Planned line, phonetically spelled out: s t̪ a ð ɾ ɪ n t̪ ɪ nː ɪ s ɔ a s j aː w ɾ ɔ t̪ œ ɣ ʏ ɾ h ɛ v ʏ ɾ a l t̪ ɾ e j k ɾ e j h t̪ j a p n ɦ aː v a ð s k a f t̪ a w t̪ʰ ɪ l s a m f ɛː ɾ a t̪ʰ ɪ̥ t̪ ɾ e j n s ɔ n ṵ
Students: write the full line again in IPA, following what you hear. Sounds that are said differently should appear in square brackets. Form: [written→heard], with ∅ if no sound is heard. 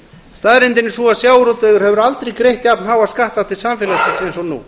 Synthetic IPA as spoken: s t̪ a ð ɾ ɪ n t̪ ɪ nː ɪ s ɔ a s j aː w ɾ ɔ t̪ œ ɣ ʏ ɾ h ɛ v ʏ ɾ a l t̪ ɾ e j k ɾ e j h t̪ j a p n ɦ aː [v→w] a ð s k a [f→h] t̪ a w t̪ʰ ɪ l s a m f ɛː [ɾ→l] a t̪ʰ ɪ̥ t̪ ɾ e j n s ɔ n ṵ